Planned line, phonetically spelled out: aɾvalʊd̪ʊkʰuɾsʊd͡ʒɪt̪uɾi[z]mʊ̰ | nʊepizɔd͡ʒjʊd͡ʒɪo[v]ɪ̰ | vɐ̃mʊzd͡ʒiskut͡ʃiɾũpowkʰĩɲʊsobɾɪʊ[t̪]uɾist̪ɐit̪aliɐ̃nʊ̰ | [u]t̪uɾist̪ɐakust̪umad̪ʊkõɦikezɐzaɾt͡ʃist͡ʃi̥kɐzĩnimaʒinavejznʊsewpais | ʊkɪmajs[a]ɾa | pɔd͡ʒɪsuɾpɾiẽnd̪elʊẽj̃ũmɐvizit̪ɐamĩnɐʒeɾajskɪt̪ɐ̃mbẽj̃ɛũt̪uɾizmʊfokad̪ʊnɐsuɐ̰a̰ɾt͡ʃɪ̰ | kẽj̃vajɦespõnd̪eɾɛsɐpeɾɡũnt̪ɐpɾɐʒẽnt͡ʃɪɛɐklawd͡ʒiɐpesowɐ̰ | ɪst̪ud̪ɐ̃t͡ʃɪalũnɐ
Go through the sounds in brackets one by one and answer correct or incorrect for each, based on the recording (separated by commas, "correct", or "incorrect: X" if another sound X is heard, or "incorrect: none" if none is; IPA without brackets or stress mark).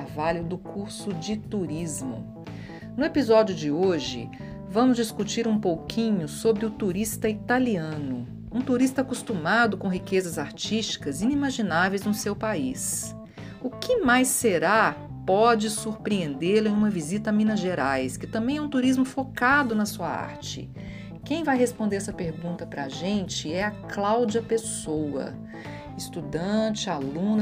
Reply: correct, incorrect: ʒ, correct, incorrect: ũ, incorrect: e